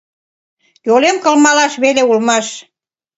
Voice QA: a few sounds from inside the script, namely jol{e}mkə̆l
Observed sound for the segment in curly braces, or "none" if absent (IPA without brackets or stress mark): e